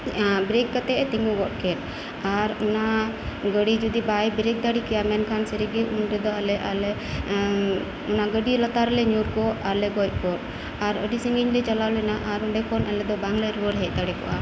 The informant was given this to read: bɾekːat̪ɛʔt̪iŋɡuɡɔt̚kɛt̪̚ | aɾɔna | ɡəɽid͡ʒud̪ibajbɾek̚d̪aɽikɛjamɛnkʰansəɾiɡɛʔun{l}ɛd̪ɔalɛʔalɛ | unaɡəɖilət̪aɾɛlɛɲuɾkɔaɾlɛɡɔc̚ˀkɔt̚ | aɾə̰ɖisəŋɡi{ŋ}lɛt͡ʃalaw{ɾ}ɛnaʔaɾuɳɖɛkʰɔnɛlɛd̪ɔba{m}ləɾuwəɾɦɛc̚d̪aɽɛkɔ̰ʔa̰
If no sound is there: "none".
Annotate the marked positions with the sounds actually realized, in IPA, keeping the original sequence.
ɾ, ɲ, l, ŋ

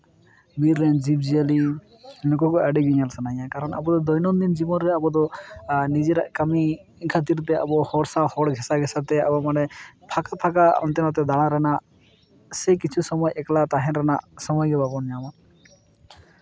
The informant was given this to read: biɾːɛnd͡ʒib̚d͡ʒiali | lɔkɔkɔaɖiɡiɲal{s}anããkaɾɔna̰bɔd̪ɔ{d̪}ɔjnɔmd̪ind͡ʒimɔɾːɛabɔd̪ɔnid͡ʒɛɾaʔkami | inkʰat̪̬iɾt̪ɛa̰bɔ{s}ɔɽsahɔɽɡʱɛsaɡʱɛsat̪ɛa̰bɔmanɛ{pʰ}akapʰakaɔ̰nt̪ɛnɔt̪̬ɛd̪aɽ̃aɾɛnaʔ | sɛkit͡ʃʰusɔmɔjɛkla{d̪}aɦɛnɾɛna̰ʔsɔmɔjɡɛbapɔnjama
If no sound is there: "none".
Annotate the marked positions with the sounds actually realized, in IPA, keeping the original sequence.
s, d̪, h, pʰ, t̪

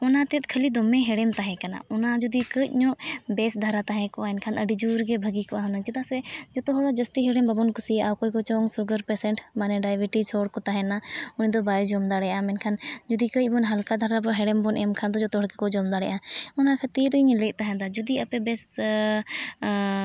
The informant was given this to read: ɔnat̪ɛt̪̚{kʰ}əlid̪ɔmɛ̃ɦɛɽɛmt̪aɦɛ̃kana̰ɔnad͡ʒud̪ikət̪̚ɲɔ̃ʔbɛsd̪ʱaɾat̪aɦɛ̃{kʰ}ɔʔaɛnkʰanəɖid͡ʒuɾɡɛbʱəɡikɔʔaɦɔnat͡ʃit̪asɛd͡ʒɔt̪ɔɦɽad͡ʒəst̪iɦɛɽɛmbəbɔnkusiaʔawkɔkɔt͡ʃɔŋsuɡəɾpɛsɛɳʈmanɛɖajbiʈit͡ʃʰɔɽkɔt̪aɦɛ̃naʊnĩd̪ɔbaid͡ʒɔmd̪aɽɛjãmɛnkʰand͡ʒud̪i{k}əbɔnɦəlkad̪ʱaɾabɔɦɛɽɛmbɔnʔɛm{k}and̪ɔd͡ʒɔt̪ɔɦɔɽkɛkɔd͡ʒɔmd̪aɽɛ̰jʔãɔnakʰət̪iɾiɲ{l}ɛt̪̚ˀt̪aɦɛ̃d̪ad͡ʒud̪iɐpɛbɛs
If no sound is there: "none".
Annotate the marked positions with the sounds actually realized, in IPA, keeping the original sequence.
kʰ, k, k, kʰ, l

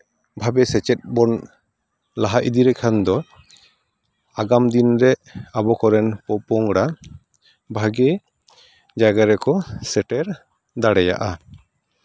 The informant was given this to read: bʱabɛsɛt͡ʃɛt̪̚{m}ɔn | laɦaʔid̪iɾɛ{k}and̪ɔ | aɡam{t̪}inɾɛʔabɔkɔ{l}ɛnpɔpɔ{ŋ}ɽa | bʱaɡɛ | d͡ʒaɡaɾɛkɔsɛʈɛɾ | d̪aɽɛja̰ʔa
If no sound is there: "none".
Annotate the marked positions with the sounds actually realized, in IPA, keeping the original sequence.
b, kʰ, d̪, ɾ, ŋ

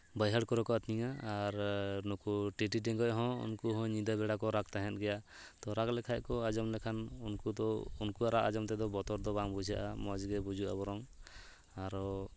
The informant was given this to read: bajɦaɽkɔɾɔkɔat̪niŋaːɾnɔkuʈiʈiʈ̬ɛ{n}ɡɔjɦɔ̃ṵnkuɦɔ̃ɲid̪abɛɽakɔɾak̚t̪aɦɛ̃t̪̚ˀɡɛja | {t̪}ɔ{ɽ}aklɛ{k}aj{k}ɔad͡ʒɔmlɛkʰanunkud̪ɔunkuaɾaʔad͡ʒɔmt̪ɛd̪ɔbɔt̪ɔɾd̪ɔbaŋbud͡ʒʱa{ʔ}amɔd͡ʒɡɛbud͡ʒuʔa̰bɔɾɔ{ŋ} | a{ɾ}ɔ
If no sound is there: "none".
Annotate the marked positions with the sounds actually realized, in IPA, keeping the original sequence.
ŋ, t̪, ɾ, kʰ, k, ʔ, ŋ, ɾ

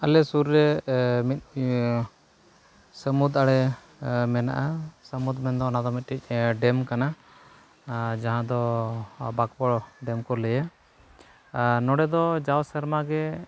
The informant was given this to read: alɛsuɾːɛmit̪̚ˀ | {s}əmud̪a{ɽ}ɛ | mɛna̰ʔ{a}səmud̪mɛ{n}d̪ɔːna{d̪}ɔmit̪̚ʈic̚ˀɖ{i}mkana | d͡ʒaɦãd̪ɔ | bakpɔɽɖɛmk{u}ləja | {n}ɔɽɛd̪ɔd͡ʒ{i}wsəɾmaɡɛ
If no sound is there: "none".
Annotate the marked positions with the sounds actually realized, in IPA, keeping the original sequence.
s, ɽ, a, n, d̪, ɛ, ɔ, n, a

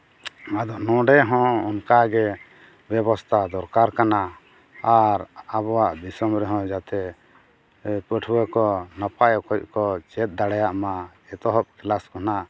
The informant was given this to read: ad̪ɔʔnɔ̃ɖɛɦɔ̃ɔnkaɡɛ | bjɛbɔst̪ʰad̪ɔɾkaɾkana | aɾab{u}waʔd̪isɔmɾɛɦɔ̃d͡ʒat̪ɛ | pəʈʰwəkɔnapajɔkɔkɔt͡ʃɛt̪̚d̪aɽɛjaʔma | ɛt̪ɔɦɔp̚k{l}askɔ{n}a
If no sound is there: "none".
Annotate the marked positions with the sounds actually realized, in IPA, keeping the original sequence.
ɔ, l, n

